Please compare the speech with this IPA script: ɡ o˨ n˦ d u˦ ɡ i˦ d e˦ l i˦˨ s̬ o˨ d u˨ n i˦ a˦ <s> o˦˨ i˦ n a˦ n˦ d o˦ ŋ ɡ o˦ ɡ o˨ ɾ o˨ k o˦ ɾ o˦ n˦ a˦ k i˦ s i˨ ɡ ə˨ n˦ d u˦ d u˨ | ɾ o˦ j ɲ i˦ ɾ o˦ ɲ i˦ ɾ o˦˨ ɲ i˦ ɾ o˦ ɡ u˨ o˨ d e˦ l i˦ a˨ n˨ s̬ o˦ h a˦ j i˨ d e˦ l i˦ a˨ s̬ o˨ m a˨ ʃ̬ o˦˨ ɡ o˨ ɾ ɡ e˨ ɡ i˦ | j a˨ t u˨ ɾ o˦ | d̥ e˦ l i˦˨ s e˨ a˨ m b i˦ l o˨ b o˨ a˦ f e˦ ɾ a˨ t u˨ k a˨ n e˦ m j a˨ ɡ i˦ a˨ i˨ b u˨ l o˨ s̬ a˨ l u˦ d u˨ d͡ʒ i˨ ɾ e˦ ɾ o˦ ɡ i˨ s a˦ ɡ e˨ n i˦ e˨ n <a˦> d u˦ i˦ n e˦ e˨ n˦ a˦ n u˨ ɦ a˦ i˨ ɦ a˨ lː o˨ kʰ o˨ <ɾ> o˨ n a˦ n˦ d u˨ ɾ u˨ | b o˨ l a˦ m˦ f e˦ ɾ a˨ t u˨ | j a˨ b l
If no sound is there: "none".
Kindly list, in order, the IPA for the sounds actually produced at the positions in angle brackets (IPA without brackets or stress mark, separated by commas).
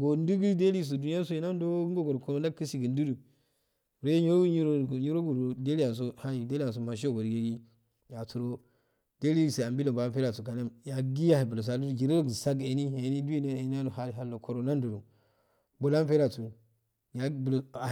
s, i˦, ɾ